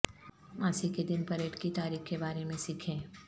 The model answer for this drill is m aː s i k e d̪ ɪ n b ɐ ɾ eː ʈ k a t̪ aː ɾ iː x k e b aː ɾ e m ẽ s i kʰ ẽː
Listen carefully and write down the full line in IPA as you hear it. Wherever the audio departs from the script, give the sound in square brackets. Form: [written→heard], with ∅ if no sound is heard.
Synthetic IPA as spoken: m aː s i k e d̪ ɪ n [b→p] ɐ ɾ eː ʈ k [a→i] t̪ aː ɾ iː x k e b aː ɾ e m ẽ s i kʰ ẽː

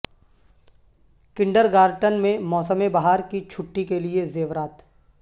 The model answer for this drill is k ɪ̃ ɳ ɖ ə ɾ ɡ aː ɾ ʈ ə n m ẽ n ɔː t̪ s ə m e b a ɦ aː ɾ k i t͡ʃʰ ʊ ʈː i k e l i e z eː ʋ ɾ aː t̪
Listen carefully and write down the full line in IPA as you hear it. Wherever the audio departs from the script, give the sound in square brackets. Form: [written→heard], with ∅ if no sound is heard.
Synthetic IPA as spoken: k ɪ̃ ɳ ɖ ə ɾ ɡ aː ɾ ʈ ə n m ẽ [n→m] ɔː [t̪→∅] s ə m e b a ɦ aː ɾ k i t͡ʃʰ ʊ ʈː i k e l i e z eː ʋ ɾ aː t̪

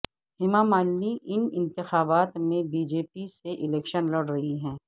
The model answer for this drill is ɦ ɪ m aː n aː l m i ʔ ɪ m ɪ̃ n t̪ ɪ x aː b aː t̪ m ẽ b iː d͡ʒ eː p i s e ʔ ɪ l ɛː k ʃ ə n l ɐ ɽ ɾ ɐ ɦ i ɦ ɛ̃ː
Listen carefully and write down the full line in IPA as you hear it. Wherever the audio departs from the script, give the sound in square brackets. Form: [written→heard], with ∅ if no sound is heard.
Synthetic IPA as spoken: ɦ ɪ m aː [n→m] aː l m i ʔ ɪ [m→n] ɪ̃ n t̪ ɪ x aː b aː t̪ m ẽ b iː d͡ʒ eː p i s e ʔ ɪ l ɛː k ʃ ə n l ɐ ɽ ɾ ɐ ɦ i ɦ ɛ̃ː

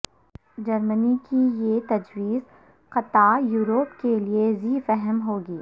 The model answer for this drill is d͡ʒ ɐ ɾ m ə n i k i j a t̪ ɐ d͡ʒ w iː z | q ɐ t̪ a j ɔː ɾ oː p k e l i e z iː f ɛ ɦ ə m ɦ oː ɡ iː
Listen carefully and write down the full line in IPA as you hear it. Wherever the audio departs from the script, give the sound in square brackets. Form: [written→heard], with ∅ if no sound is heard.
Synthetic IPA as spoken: d͡ʒ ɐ ɾ m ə n i k i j [a→e] t̪ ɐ d͡ʒ w iː z | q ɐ t̪ a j [ɔː→uː] ɾ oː p k e l i e z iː f ɛ ɦ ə m ɦ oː ɡ iː

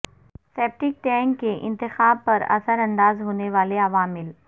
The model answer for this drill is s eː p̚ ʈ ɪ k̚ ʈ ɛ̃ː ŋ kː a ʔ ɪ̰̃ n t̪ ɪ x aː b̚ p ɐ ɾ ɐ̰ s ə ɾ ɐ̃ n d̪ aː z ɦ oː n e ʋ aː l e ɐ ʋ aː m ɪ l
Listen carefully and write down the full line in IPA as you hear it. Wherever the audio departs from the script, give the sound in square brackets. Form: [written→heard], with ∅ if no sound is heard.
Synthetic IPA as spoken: s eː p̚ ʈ ɪ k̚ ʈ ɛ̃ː ŋ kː [a→e] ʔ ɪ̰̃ n t̪ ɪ x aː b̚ p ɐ ɾ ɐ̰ s ə ɾ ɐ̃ n d̪ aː z ɦ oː n e ʋ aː l e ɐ ʋ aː m ɪ l

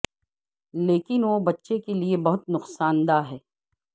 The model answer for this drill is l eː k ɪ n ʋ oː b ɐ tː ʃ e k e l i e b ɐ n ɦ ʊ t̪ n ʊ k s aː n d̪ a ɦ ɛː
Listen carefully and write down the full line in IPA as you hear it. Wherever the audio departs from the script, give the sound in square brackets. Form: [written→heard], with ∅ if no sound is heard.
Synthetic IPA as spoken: l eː k ɪ n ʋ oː b ɐ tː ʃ e k e l i e b ɐ [n→∅] ɦ ʊ t̪ n ʊ [k→q] s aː n d̪ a ɦ ɛː

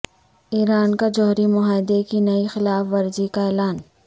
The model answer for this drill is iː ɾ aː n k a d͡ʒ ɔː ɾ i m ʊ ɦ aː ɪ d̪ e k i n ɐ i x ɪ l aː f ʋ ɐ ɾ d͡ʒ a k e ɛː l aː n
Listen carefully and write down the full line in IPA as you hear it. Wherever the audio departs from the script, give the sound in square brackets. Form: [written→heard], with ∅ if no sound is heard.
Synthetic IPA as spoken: iː ɾ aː n k a d͡ʒ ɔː ɾ i m ʊ ɦ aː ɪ d̪ e k i n ɐ i x ɪ l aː f ʋ ɐ ɾ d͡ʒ [a→i] k [e→a] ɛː l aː n

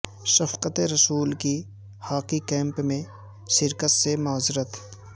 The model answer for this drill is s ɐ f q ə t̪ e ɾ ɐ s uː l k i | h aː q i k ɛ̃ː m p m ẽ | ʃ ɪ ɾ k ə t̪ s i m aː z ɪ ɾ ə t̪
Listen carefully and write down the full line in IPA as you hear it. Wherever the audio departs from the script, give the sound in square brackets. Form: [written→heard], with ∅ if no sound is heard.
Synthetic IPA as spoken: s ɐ f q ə t̪ e ɾ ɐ s uː l k i | h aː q i k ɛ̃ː m p m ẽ | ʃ ɪ ɾ k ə t̪ s [i→e] m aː z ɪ ɾ ə t̪

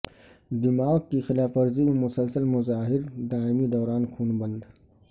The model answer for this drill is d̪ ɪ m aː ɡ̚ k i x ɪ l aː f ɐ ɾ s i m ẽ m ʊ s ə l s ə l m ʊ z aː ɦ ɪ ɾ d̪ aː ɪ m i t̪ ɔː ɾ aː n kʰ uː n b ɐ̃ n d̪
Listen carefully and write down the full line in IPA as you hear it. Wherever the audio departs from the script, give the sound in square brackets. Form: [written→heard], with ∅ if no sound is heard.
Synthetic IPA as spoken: d̪ ɪ m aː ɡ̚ k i x ɪ l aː f ɐ ɾ [s→z] i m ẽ m ʊ s ə l s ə l m ʊ z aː ɦ ɪ ɾ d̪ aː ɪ m i [t̪→d̪] ɔː ɾ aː n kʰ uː n b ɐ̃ n d̪

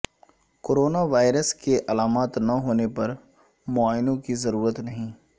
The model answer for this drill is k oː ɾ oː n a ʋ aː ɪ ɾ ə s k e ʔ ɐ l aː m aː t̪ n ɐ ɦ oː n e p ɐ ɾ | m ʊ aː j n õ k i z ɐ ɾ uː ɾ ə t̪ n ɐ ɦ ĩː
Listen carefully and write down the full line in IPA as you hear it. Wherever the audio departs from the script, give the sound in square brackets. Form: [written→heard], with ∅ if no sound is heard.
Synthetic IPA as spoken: k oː ɾ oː n a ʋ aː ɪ ɾ ə s k e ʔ ɐ l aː m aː t̪ n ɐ ɦ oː n e p ɐ ɾ | m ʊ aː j n õ k i z ɐ ɾ uː ɾ ə t̪ n ɐ ɦ ĩː

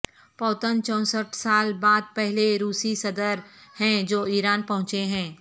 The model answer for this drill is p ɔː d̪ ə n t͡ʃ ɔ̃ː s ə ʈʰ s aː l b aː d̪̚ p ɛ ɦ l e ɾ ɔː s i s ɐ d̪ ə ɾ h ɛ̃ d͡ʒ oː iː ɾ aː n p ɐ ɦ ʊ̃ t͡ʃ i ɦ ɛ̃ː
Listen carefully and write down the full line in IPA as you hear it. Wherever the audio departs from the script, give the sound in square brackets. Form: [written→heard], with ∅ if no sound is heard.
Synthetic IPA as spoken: p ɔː [d̪→t̪] ə n t͡ʃ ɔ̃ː s ə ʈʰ s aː l b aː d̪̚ p ɛ ɦ l e ɾ [ɔː→uː] s i s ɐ d̪ ə ɾ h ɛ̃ d͡ʒ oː iː ɾ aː n p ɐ ɦ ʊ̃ t͡ʃ [i→e] ɦ ɛ̃ː

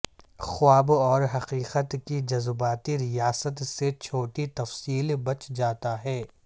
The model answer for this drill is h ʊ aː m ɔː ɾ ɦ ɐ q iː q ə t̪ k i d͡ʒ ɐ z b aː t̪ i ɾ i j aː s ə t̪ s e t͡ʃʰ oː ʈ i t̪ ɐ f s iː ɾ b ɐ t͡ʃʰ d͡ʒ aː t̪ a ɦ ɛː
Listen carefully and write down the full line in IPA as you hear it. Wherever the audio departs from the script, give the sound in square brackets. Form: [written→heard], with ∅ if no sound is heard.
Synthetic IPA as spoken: [h→x] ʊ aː [m→b] ɔː ɾ ɦ ɐ q iː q ə t̪ k i d͡ʒ ɐ z b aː t̪ i ɾ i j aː s ə t̪ s e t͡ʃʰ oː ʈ i t̪ ɐ f s iː [ɾ→l] b ɐ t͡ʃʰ d͡ʒ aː t̪ a ɦ ɛː

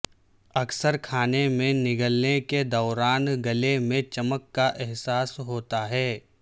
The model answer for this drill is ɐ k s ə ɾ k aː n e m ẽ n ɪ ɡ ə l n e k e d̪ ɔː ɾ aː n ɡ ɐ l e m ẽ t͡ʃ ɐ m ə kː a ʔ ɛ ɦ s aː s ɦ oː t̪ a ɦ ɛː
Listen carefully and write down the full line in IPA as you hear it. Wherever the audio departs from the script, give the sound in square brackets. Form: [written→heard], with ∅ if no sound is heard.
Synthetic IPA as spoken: ɐ k s ə ɾ [k→kʰ] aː n e m ẽ n ɪ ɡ ə l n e k e d̪ ɔː ɾ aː n ɡ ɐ l e m ẽ t͡ʃ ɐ m ə kː a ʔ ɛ ɦ s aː s ɦ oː t̪ a ɦ ɛː

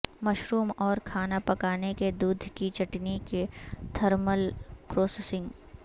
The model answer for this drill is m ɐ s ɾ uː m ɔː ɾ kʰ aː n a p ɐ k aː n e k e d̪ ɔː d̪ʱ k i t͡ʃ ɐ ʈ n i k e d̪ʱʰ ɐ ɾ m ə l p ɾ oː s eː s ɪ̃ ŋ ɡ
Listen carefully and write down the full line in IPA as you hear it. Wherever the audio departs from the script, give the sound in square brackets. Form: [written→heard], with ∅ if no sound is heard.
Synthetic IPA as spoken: m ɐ [s→ʃ] ɾ uː m ɔː ɾ kʰ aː n a p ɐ k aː n e k e d̪ [ɔː→uː] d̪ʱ k i t͡ʃ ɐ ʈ n i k e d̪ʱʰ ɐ ɾ m ə l p ɾ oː s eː s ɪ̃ ŋ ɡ

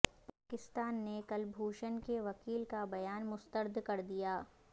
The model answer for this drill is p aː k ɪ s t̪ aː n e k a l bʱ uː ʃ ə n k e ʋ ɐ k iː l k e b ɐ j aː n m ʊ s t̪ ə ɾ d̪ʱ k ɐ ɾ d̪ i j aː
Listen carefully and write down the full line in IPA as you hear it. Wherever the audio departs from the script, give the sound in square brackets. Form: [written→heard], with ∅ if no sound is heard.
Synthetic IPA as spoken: p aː k ɪ s t̪ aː [n→nː] e k [a→ɐ] l bʱ uː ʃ ə n k e ʋ ɐ k iː l k [e→a] b ɐ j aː n m ʊ s t̪ ə ɾ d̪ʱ k ɐ ɾ d̪ i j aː

